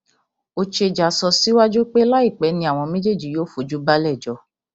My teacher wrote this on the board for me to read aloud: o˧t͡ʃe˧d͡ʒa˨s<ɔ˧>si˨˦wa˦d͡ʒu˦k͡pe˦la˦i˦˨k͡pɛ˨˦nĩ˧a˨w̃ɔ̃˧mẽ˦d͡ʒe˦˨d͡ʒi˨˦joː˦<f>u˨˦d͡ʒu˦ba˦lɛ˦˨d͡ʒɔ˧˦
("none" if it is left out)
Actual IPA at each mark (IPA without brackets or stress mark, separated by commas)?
ɔ˧, f